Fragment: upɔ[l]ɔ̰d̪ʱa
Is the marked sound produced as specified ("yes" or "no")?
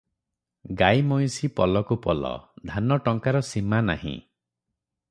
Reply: yes